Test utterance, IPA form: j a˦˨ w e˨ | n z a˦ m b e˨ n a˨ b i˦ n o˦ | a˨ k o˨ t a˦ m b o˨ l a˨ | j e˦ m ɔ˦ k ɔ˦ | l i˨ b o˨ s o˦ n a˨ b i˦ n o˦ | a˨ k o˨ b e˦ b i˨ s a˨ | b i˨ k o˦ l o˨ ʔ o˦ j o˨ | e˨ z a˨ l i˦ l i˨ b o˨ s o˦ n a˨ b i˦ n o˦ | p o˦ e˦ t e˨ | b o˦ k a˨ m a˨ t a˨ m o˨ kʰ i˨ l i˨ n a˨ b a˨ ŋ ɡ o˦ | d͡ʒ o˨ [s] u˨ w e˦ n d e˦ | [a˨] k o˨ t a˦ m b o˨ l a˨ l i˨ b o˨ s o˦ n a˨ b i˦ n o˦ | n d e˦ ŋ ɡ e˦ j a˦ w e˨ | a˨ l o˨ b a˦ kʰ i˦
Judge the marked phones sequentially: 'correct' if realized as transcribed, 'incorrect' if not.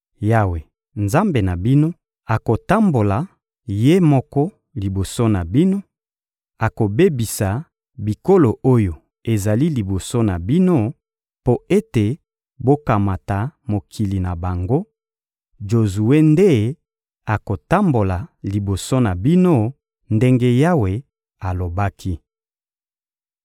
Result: incorrect, correct

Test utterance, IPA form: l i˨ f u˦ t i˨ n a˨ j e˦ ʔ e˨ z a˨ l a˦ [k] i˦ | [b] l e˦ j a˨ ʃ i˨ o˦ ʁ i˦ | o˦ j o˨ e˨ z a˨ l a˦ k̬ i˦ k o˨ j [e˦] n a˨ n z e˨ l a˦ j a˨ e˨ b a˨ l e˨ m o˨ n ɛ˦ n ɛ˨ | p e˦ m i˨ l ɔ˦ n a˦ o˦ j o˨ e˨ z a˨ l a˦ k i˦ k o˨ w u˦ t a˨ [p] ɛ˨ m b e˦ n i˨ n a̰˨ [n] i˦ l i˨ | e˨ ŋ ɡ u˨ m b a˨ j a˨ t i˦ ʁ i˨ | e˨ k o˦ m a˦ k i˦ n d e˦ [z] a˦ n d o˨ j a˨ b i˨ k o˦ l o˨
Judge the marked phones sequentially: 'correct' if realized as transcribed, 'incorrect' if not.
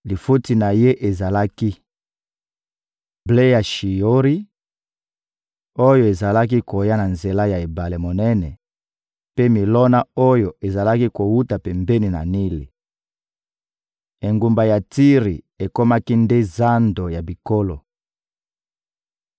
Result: correct, correct, incorrect, correct, correct, correct

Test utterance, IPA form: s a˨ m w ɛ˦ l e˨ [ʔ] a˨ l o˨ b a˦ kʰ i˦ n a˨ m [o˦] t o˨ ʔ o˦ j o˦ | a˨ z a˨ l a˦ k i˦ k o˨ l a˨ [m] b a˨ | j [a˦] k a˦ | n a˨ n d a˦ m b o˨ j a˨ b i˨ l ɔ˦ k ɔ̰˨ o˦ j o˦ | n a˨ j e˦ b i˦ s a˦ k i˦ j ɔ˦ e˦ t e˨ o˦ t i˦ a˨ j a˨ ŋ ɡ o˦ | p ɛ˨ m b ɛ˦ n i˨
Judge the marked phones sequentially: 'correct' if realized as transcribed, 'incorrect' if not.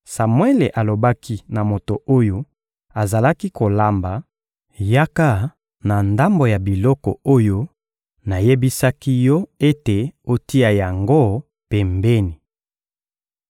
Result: correct, incorrect, correct, correct

